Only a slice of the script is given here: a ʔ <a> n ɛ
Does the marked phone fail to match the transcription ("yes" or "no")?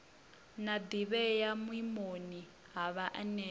no